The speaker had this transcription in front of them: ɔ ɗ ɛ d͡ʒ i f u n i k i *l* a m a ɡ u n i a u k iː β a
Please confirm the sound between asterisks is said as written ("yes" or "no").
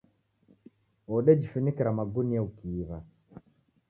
no